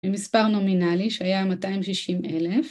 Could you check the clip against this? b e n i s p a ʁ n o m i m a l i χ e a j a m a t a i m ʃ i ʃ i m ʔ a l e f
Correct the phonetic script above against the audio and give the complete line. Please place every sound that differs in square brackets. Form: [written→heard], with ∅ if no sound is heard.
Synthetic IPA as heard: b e [n→m] i s p a ʁ n o m i [m→n] a l i [χ→ʃ] e a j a m a t a i m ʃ i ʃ i m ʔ [a→e] l e f